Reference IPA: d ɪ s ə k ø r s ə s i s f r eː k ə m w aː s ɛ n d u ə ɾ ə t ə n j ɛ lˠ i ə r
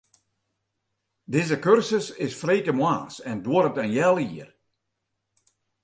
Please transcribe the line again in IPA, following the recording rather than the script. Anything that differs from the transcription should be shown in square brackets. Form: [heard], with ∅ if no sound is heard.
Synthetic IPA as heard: d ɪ [z] ə k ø r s ə s [ɪ] s f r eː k ə m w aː s ɛ n d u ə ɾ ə t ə n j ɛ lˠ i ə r